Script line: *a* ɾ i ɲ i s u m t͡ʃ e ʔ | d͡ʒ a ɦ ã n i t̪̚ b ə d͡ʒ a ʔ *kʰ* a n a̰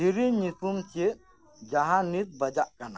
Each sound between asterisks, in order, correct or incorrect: incorrect: i, incorrect: k

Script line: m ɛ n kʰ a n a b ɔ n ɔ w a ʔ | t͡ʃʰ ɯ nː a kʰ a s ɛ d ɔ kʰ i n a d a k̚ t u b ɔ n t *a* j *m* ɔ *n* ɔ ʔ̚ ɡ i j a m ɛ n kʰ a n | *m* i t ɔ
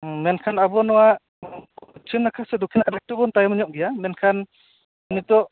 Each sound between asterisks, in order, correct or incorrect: correct, correct, incorrect: ɲ, incorrect: n

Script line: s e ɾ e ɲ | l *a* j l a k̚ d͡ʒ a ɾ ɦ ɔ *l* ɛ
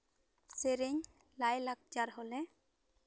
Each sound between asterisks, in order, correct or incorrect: correct, correct

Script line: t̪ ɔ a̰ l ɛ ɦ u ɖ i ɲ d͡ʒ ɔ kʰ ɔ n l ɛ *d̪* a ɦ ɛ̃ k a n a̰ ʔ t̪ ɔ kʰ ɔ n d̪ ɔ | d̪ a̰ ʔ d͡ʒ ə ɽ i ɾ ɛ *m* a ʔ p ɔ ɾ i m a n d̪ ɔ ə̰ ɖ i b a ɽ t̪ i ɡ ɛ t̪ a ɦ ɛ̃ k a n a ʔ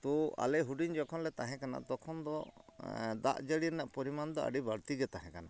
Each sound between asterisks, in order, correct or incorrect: incorrect: t̪, incorrect: n

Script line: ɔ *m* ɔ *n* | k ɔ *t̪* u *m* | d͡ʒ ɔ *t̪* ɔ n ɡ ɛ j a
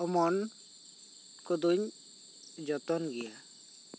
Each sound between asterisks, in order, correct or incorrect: correct, correct, incorrect: d̪, incorrect: ɲ, correct

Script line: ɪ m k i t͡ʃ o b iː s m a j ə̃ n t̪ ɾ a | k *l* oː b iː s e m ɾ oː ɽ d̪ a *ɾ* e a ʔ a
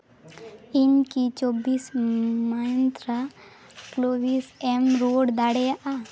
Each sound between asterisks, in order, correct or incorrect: correct, incorrect: ɽ

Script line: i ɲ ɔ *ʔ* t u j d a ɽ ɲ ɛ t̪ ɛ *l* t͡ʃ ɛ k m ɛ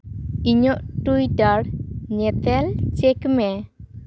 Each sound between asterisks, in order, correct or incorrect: correct, correct

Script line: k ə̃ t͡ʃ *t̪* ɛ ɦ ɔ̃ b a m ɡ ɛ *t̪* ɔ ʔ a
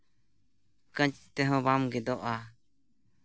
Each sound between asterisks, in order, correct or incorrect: correct, incorrect: d̪

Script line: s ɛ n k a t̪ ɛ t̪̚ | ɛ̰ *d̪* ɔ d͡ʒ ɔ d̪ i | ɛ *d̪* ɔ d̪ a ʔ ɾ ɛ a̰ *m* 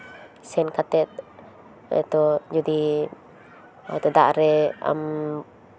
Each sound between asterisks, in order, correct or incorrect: incorrect: t̪, incorrect: t̪, correct

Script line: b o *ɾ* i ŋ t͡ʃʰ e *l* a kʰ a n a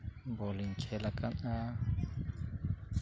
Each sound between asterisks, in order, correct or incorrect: incorrect: l, correct

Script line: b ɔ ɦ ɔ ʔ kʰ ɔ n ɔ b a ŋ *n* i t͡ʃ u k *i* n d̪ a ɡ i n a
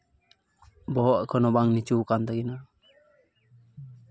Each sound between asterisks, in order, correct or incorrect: correct, incorrect: a

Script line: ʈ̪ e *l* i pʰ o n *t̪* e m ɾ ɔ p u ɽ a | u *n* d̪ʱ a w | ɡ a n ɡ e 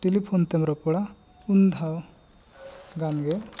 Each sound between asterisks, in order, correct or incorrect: correct, correct, correct

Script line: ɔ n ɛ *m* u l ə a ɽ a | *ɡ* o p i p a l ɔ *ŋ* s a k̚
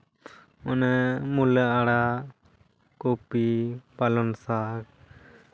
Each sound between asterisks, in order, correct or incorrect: correct, incorrect: k, incorrect: n

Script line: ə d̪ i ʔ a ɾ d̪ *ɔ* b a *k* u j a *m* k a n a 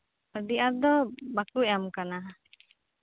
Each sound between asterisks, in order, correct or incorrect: correct, correct, correct

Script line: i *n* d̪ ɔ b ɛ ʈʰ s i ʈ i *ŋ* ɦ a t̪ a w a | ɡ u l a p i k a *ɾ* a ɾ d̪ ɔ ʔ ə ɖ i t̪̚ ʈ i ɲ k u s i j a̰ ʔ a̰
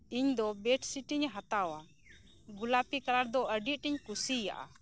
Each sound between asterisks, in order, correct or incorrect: incorrect: ɲ, incorrect: ɲ, correct

